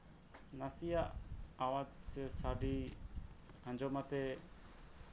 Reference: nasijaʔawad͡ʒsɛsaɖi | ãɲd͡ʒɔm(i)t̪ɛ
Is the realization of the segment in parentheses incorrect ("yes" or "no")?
yes